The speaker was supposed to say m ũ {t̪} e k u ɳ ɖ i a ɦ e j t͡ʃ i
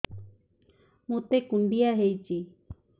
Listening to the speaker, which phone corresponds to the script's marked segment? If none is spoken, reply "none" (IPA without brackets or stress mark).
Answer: t̪